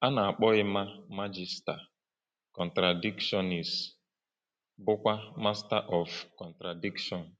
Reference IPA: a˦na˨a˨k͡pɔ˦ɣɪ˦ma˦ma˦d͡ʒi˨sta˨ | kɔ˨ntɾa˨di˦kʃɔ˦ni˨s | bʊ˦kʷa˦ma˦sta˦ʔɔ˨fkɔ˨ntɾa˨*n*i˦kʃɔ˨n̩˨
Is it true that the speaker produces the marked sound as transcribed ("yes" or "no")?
no